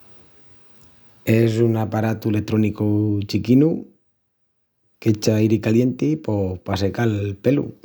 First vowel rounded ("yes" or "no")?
no